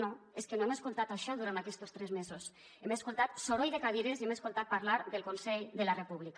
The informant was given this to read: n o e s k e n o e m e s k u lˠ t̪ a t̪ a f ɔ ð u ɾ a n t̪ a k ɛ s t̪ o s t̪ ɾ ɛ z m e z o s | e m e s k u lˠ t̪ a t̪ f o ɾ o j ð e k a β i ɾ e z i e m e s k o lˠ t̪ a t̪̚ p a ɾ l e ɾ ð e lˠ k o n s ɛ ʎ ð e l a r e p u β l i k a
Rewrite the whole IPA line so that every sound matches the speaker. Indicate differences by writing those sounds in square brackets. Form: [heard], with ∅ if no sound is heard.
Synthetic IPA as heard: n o e s k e n o e m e s k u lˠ t̪ a t̪ a [ʃ] ɔ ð u ɾ a n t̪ a k ɛ s t̪ o s t̪ ɾ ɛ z m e z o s | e m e s k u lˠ t̪ a t̪ [s] o ɾ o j ð e k a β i ɾ e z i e m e s k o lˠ t̪ a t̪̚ p a ɾ l [a] ɾ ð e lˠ k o n s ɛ ʎ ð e l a r e p u β l i k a